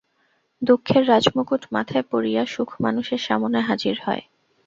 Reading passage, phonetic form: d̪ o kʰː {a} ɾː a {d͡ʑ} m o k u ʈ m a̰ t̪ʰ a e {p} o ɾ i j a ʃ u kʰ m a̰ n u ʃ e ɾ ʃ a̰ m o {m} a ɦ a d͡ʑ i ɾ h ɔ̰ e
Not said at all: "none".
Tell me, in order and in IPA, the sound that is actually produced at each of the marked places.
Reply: e, d͡ʑ, p, n

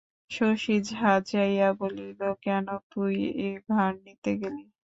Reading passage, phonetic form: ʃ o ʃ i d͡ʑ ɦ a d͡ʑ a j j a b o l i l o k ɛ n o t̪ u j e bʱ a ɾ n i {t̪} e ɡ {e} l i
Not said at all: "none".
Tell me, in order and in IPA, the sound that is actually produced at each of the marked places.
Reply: t̪, e

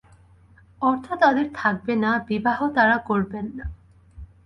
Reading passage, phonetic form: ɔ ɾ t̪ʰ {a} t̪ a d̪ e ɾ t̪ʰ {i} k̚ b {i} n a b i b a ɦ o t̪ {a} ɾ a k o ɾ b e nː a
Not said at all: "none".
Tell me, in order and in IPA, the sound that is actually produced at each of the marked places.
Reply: a, a, e, a

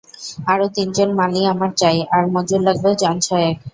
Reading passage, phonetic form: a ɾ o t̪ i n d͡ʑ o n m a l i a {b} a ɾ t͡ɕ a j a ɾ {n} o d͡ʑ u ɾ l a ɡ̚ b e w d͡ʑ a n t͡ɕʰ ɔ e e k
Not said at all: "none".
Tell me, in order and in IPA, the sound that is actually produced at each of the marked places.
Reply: m, m

